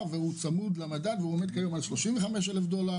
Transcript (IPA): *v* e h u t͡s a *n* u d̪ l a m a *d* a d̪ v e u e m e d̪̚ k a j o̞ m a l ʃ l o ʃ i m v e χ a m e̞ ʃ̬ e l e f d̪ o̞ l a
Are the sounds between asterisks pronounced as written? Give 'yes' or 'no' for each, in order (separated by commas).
yes, no, yes